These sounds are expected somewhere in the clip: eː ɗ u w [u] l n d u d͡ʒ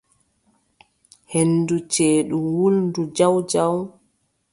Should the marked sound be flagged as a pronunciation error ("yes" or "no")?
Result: no